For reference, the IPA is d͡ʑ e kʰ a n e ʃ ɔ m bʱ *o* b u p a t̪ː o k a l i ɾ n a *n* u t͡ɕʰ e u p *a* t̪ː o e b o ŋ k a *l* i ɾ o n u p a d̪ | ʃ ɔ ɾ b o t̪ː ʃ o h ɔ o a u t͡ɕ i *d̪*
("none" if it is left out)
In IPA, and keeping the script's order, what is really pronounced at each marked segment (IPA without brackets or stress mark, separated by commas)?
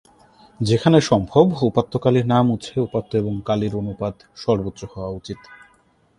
o, m, a, l, t̪